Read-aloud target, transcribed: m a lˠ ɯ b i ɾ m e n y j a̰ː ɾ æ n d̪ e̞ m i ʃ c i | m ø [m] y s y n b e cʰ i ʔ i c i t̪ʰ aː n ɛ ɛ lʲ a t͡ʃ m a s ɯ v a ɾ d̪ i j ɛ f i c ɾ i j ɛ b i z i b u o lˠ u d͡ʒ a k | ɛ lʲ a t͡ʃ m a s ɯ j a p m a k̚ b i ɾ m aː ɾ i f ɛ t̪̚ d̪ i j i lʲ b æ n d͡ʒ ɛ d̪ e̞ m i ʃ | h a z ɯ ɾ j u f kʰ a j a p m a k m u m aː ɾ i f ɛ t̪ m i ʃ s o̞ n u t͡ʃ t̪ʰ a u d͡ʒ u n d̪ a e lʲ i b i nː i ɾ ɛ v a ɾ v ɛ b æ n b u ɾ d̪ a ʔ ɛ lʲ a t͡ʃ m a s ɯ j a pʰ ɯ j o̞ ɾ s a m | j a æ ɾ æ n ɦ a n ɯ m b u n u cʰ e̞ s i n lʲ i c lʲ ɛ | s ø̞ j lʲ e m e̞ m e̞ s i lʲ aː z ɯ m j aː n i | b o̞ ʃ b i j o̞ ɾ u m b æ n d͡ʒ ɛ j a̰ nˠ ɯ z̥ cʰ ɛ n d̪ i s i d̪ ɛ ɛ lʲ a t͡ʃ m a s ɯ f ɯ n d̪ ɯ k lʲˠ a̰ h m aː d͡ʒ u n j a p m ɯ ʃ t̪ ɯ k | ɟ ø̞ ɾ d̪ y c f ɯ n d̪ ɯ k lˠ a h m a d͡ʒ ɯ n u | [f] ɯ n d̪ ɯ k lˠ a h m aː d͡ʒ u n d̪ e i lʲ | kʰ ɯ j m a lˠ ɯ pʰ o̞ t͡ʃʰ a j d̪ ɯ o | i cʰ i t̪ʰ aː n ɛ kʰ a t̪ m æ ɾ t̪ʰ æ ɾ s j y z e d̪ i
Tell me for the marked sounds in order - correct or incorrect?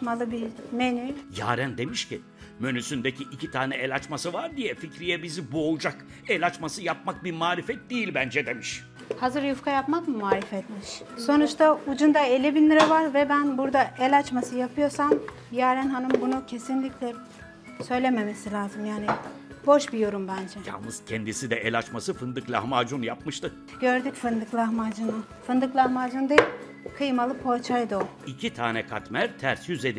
incorrect, correct

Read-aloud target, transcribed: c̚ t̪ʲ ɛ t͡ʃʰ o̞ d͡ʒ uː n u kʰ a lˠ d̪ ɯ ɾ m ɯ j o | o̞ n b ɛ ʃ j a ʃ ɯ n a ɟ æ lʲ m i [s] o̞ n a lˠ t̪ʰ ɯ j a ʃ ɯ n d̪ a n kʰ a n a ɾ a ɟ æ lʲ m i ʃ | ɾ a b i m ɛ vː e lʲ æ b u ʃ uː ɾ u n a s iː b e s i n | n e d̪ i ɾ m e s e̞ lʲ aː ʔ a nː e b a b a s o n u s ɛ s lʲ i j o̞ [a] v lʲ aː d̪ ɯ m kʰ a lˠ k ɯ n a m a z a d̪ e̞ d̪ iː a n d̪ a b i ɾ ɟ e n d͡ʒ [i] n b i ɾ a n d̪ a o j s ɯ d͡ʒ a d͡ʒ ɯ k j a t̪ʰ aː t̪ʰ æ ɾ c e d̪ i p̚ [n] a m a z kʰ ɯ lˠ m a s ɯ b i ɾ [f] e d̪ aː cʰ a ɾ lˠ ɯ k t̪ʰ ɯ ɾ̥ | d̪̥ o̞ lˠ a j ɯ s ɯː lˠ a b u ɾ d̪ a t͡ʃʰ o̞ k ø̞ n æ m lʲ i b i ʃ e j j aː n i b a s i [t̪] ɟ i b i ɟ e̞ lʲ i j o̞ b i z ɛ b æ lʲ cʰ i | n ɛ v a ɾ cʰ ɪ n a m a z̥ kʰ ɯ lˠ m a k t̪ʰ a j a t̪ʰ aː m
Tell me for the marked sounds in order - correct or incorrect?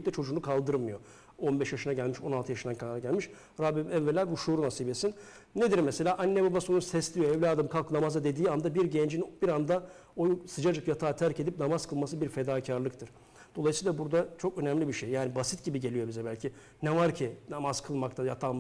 incorrect, incorrect, correct, correct, correct, correct

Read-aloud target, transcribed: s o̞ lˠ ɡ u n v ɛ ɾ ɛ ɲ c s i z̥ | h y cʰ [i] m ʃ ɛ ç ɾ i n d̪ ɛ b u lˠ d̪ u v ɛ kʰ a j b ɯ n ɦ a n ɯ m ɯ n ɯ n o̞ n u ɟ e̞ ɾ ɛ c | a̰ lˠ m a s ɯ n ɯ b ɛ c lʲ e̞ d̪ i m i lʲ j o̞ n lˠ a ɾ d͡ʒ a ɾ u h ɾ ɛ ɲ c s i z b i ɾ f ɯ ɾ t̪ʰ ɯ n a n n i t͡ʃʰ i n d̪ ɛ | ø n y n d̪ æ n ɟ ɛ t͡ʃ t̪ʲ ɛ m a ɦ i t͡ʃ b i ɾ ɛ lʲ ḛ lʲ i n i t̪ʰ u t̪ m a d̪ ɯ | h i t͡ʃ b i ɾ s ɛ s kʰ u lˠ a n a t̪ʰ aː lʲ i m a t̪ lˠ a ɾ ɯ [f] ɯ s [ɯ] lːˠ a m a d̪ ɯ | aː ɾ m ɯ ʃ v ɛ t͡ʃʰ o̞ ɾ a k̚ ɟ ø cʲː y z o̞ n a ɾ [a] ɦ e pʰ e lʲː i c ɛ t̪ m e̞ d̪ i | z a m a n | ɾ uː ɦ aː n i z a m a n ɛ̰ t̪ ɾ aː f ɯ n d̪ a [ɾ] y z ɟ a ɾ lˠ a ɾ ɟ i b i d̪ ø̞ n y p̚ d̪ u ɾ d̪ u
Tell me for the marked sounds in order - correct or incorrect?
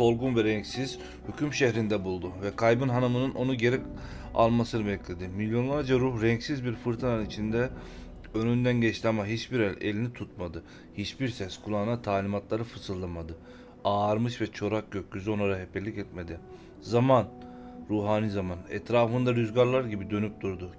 incorrect, correct, correct, correct, correct

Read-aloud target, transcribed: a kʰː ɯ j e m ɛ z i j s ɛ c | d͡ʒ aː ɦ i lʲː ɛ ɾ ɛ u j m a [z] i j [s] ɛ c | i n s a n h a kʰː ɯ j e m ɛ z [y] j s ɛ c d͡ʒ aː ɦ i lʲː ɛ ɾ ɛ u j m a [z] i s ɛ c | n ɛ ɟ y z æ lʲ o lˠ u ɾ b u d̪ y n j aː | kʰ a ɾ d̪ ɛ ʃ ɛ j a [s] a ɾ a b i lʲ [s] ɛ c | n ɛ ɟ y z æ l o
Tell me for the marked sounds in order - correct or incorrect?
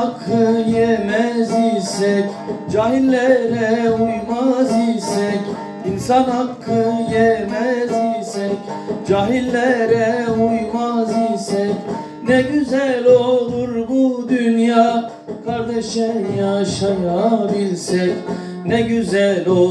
correct, correct, incorrect, correct, incorrect, correct

